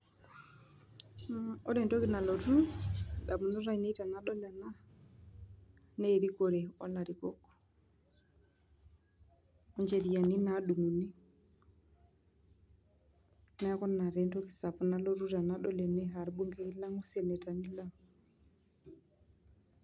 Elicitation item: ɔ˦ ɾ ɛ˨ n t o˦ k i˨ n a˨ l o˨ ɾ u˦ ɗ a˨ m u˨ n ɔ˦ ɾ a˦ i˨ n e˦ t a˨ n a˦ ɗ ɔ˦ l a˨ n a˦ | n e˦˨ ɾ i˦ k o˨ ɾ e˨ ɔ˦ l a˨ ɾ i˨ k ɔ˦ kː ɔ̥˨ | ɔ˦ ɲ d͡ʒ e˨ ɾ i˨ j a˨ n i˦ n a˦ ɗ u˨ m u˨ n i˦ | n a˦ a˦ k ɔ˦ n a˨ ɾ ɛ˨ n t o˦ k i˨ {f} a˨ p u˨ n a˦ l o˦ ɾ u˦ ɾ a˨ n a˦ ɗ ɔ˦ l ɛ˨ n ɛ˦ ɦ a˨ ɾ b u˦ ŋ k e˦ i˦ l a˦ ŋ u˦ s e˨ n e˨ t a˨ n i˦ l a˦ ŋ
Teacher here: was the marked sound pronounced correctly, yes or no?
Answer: no